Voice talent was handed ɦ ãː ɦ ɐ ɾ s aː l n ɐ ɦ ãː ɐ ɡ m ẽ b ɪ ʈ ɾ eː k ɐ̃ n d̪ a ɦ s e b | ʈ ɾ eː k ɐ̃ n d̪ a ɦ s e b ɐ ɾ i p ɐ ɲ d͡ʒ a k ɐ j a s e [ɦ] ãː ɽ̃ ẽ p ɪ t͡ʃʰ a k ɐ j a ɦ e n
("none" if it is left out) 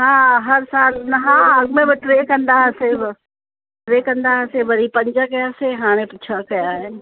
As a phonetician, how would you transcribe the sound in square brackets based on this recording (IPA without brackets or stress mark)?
ɦ